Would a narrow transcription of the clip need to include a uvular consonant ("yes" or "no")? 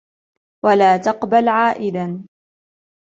yes